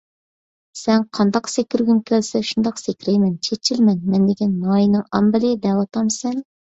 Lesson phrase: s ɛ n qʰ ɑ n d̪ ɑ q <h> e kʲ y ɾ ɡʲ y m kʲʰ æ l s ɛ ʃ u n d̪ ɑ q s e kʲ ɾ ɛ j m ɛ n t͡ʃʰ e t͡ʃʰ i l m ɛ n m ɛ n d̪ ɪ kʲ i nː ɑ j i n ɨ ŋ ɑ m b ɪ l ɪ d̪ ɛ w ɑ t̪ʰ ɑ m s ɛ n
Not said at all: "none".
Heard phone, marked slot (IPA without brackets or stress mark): s